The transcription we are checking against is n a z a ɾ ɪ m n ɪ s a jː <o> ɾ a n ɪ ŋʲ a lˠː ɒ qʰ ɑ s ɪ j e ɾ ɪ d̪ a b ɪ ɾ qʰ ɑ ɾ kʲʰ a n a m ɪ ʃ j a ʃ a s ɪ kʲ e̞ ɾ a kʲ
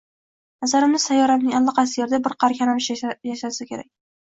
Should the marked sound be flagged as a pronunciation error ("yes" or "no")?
yes